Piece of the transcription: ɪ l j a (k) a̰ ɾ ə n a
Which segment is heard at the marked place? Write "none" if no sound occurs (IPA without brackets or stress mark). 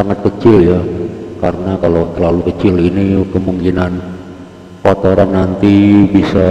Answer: k